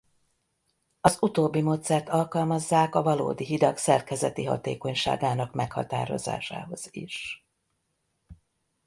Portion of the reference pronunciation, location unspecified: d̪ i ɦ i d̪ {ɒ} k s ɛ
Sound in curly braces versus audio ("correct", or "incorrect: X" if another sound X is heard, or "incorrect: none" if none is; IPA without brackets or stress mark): correct